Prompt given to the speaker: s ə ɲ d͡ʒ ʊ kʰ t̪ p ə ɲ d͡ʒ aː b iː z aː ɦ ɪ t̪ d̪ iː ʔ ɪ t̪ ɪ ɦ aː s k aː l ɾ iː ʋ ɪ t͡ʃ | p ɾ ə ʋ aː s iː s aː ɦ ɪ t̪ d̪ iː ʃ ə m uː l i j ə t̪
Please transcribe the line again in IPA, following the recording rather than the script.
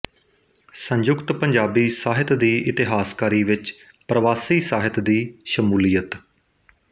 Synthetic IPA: s ə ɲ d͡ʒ ʊ k t̪ p ə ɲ d͡ʒ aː b iː s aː ɦ ɪ t̪ d̪ iː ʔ ɪ t̪ ɪ ɦ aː s k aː ɾ iː ʋ ɪ t͡ʃ | p ɾ ə ʋ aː s iː s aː ɦ ɪ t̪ d̪ iː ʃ ə m uː l i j ə t̪